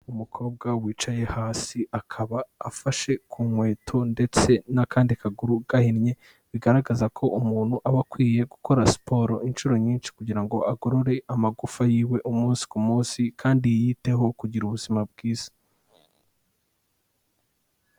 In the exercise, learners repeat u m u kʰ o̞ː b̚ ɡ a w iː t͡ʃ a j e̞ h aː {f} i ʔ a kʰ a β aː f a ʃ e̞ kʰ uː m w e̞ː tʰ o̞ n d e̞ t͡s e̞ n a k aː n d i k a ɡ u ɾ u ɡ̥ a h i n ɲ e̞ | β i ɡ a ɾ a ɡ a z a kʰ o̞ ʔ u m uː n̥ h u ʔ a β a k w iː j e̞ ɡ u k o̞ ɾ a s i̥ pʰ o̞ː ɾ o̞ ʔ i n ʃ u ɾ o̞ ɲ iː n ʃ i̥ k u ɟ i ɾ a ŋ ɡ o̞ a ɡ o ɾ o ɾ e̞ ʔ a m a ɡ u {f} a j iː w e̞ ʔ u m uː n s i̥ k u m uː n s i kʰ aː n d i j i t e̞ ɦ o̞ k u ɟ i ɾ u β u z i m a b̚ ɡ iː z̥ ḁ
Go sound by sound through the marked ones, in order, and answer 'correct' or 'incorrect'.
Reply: incorrect: s, correct

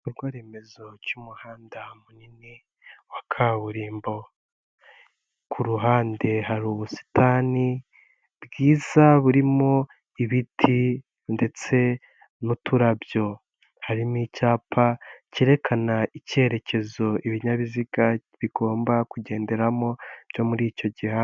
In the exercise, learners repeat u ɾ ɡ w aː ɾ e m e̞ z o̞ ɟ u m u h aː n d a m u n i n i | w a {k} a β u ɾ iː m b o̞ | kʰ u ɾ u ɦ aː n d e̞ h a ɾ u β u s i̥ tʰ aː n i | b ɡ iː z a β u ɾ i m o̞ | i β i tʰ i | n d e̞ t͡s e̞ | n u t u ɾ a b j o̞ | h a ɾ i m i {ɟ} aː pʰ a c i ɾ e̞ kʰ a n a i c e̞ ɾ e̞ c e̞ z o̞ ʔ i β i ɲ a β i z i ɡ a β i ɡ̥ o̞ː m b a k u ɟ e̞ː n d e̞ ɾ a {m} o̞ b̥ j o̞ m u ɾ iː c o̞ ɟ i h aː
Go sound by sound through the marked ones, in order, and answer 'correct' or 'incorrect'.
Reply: incorrect: kʰ, incorrect: c, correct

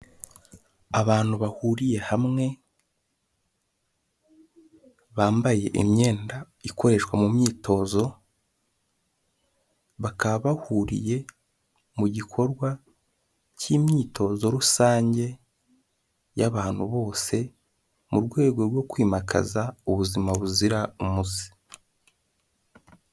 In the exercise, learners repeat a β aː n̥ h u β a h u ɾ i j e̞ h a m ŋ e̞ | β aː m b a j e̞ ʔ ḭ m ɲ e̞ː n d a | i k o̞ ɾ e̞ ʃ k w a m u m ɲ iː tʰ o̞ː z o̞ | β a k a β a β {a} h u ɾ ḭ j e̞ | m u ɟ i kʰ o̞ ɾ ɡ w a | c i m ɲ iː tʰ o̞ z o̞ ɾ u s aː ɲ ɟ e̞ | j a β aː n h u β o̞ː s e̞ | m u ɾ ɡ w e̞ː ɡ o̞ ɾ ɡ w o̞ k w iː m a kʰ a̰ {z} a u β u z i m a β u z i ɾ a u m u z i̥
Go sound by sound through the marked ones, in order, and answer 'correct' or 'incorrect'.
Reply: correct, correct

